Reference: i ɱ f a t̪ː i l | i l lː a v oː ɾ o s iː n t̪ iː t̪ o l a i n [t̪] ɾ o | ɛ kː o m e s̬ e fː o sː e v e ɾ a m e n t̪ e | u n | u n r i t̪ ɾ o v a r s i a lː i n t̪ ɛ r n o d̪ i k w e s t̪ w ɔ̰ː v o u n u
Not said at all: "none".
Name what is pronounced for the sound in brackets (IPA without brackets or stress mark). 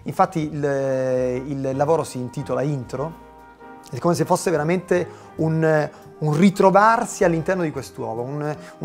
t̪